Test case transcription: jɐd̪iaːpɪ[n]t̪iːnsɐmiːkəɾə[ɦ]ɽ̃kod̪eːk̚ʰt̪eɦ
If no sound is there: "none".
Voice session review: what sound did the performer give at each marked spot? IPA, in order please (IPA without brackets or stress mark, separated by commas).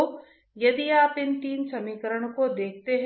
n, none